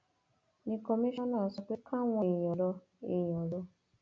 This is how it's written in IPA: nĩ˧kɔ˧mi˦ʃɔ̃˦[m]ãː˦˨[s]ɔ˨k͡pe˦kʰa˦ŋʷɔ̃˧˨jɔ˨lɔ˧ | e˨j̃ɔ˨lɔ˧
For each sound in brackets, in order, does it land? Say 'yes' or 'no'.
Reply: no, yes

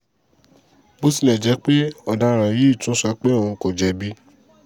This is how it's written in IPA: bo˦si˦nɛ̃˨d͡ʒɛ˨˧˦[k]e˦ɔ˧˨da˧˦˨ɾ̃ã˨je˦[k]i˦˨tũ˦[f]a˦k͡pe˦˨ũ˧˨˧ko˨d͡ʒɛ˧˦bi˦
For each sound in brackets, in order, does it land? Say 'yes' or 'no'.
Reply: no, no, no

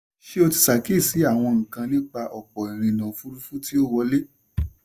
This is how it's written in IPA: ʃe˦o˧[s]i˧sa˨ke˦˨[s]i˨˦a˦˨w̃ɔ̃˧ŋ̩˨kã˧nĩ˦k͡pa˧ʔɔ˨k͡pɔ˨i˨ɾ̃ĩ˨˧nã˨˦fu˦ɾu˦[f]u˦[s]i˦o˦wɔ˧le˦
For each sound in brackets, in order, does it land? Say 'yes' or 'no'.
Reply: no, yes, yes, no

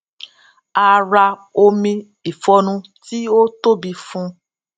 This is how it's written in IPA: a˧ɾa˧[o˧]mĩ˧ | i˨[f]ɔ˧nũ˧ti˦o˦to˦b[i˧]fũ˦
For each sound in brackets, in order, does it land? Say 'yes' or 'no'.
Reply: yes, yes, yes

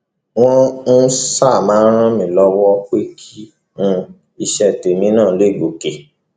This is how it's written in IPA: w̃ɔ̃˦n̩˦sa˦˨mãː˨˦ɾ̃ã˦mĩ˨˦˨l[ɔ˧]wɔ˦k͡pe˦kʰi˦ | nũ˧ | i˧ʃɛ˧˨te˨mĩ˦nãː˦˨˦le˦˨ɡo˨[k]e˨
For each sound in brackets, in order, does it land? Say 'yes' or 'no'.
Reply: yes, yes

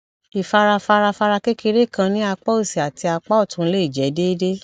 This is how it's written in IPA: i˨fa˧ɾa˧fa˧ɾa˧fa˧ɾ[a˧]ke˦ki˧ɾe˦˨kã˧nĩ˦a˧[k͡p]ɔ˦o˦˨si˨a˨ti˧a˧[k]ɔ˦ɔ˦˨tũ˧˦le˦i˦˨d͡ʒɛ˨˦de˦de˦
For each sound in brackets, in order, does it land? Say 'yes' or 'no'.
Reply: yes, yes, no

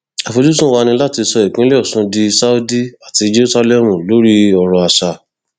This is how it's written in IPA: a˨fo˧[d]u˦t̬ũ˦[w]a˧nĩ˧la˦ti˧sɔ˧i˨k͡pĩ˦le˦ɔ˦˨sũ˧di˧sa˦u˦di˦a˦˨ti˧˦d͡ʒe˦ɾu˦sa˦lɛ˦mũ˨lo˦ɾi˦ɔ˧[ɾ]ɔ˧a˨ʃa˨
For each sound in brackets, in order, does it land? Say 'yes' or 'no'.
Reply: no, yes, yes

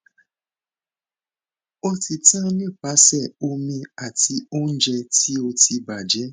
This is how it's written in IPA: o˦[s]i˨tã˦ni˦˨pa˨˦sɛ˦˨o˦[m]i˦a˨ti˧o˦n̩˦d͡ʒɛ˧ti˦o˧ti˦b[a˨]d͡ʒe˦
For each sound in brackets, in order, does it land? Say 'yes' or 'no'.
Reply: no, yes, yes

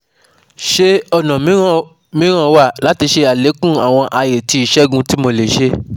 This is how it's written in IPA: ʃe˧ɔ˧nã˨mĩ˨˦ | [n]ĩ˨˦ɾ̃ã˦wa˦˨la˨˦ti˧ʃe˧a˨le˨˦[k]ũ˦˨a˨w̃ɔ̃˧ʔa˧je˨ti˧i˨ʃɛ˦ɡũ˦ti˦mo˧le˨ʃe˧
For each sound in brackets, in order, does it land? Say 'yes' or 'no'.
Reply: no, yes

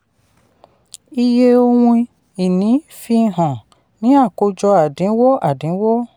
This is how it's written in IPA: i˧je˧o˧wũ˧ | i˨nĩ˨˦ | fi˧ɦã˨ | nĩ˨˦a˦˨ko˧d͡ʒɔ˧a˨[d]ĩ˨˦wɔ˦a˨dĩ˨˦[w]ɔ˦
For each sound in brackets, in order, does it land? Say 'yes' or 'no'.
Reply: yes, yes

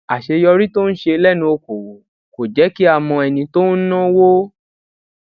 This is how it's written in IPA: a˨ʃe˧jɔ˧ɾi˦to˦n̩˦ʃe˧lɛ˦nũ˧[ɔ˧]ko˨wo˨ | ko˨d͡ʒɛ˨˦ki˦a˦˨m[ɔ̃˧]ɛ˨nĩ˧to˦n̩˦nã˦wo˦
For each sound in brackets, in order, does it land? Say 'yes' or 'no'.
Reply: no, yes

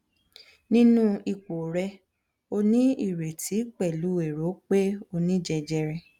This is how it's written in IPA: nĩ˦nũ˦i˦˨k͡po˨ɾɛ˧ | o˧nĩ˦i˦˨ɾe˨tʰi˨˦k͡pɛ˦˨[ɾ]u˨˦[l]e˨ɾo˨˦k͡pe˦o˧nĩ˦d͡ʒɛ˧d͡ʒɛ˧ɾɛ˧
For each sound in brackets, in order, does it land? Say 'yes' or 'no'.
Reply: no, no

